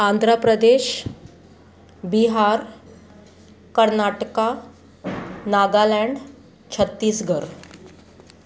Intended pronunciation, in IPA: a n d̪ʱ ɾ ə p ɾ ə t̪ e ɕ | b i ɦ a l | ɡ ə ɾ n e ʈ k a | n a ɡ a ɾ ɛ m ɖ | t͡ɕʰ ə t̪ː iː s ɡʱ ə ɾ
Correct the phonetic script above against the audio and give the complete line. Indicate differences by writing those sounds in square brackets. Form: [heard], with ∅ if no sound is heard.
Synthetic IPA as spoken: a n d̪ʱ ɾ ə p ɾ ə [d̪] e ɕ | b i ɦ a [ɾ] | [k] ə ɾ n [a] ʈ k a | n a ɡ a [l] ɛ [ɳ] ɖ | t͡ɕʰ ə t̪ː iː s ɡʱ ə ɾ